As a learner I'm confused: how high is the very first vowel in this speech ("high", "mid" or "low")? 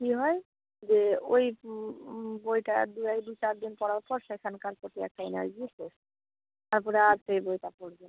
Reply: high